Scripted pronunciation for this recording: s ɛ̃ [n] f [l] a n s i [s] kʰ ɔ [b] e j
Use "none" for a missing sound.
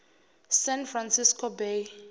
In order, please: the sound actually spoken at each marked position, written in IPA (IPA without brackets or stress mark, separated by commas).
n, r, s, b